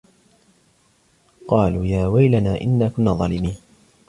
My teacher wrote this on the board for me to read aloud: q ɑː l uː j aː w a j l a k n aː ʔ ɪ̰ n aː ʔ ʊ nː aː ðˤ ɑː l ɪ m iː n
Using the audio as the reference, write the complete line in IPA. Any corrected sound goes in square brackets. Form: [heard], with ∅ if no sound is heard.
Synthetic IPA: q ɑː l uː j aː w a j l a [∅] n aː ʔ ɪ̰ [nː] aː [k] ʊ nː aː ðˤ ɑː l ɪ m iː n